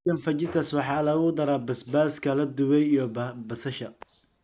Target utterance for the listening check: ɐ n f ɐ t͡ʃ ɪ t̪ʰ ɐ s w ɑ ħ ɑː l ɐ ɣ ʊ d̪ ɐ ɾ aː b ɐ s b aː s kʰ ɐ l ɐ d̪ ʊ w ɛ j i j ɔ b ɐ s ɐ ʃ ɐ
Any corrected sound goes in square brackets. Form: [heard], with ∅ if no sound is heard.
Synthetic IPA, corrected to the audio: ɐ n f ɐ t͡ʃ ɪ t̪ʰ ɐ s w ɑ ħ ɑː l ɐ ɣ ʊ d̪ ɐ ɾ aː b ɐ s b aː s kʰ ɐ l ɐ d̪ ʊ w ɛ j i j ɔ b ɐ s ɐ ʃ ɐ